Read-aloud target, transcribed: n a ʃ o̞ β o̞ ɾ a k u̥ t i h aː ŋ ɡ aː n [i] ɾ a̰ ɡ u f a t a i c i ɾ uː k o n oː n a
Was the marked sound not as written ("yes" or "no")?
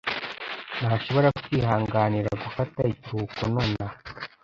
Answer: no